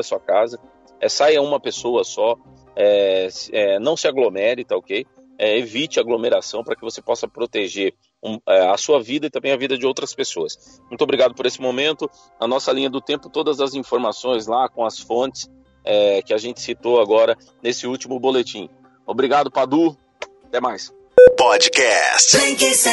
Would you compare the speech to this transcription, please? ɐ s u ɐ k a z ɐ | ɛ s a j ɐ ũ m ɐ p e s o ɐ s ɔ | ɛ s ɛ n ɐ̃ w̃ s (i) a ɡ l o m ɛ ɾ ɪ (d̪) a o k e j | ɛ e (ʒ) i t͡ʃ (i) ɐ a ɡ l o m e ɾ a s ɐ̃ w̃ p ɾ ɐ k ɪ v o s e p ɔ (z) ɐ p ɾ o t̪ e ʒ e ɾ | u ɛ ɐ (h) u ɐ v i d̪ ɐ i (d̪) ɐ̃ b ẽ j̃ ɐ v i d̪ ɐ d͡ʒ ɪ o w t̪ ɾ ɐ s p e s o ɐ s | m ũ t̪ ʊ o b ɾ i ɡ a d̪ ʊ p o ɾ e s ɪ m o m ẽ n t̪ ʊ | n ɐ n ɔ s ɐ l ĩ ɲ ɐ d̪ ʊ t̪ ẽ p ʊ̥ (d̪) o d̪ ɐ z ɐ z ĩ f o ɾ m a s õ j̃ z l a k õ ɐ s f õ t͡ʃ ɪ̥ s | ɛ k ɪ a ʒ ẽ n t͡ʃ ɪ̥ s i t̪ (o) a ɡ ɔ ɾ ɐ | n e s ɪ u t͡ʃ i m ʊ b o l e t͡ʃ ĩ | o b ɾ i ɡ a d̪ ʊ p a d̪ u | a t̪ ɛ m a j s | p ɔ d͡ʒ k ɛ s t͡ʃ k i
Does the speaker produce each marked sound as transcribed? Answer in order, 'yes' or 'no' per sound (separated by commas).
no, no, no, no, no, no, no, no, yes